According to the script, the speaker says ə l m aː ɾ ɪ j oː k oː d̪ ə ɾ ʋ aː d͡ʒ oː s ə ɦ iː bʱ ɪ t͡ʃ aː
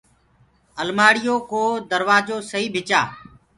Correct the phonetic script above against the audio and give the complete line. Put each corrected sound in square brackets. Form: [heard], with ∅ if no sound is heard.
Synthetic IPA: ə l m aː [ɽ] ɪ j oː k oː d̪ ə ɾ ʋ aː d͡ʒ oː s ə ɦ iː bʱ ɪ t͡ʃ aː